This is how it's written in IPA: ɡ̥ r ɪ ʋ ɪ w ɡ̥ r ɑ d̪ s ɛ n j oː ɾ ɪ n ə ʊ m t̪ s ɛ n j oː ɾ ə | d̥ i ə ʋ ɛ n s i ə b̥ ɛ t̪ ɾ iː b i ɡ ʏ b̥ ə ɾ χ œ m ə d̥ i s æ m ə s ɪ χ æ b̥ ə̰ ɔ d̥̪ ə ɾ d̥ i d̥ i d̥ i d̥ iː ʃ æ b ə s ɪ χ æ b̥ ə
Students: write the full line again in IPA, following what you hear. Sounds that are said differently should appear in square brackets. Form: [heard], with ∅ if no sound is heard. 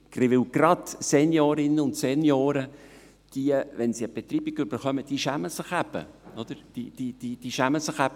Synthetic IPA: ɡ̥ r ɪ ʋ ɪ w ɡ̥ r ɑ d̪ s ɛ n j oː ɾ ɪ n ə ʊ [n] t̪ s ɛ n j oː ɾ ə | d̥ i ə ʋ ɛ n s i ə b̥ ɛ t̪ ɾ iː b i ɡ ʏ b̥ ə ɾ χ œ m ə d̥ i [ʃ] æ m ə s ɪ χ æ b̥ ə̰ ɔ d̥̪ ə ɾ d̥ i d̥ i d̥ i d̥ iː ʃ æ [m] ə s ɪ χ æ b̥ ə